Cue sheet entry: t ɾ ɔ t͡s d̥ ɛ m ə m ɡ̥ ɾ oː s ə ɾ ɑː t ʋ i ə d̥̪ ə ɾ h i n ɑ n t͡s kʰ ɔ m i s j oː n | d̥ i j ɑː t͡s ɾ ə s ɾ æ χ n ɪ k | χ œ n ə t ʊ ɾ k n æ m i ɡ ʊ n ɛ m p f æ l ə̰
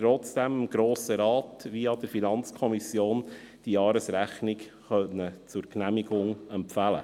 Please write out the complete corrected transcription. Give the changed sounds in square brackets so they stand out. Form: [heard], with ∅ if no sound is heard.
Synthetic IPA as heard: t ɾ ɔ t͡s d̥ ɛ m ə m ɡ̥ ɾ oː s ə ɾ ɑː t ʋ i [ɑ] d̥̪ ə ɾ [f] i n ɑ n t͡s kʰ ɔ m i s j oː n | d̥ i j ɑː [∅] ɾ ə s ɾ æ χ n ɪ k | χ œ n ə [t͡s] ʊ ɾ k n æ m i ɡ ʊ [ŋ] ɛ m p f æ l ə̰

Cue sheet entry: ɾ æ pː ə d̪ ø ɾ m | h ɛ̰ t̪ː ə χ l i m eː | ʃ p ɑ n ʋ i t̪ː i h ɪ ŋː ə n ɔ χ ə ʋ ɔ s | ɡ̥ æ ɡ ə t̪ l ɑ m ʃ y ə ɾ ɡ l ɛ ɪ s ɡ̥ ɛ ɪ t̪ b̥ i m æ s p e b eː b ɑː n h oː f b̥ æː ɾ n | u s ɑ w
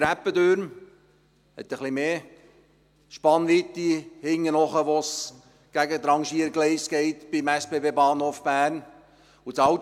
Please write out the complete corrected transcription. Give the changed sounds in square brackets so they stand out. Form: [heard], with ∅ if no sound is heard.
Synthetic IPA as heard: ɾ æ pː ə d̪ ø ɾ m | h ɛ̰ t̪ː ə χ l i m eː | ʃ p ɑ n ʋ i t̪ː i h ɪ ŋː ə n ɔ χ ə ʋ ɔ s | ɡ̥ æ ɡ ə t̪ [ɾ] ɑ [ŋ] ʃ [i] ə ɾ ɡ l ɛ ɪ s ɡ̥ ɛ ɪ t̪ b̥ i m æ s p e b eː b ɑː n h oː f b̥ æː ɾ n | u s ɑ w

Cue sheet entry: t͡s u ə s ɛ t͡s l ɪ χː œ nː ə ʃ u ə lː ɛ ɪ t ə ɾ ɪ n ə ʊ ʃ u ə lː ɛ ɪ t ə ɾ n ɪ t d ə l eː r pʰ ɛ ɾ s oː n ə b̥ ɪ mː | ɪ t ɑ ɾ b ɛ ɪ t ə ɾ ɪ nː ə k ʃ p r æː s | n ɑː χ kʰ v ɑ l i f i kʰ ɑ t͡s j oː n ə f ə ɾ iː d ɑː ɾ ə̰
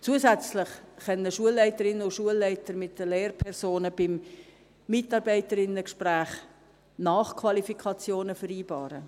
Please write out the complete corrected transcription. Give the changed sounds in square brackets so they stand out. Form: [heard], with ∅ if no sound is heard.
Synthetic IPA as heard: t͡s u ə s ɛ t͡s l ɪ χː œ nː ə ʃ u ə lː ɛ ɪ t ə ɾ ɪ n ə ʊ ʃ u ə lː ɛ ɪ t ə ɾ [m] ɪ t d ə l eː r pʰ ɛ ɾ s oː n ə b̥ ɪ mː | ɪ t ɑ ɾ b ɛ ɪ t ə ɾ ɪ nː ə k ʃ p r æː [χ] | n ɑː χ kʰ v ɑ l i f i kʰ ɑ t͡s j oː n ə f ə ɾ iː [b] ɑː ɾ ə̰

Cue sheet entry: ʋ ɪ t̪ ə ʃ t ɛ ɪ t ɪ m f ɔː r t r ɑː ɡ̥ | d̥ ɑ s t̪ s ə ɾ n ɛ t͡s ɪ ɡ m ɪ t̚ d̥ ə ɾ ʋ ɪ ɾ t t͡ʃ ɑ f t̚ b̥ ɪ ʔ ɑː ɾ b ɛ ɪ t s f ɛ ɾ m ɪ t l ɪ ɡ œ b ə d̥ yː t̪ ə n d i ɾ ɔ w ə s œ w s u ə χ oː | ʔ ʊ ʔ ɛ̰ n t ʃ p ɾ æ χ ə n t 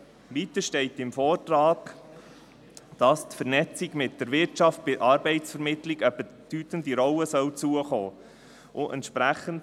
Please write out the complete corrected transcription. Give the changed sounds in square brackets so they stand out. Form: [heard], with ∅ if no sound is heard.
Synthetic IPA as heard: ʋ [i] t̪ ə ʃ t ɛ ɪ t ɪ m f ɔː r t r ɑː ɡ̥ | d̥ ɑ s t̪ [f] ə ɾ n ɛ t͡s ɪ ɡ m ɪ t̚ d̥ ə ɾ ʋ ɪ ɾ t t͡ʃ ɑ f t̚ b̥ ɪ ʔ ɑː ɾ b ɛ ɪ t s f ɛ ɾ m ɪ t l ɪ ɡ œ b ə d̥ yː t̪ ə n d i ɾ ɔ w ə s œ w [t͡s] u ə χ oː | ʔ ʊ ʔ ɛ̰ n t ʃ p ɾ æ χ ə n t

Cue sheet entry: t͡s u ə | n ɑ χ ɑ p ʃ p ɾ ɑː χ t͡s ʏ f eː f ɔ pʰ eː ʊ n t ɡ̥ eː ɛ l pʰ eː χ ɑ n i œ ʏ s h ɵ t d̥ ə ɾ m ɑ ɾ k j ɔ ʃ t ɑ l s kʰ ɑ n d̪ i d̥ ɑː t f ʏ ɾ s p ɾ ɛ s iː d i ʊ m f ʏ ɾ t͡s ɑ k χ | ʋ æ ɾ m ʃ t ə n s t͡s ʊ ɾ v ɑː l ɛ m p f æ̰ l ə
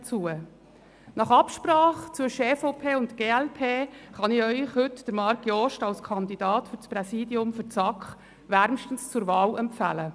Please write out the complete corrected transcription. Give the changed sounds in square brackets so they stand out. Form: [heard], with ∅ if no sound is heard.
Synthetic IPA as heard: t͡s u ə | n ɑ χ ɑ p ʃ p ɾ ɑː χ t͡s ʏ [ʃ] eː f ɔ pʰ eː ʊ n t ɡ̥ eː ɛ l pʰ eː χ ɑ n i œ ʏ [χ] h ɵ t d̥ ə ɾ m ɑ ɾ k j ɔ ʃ t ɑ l s kʰ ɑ n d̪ i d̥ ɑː t f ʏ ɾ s p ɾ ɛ s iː d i ʊ m f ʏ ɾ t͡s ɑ k χ | ʋ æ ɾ m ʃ t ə n s t͡s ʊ ɾ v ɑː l ɛ m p f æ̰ l ə

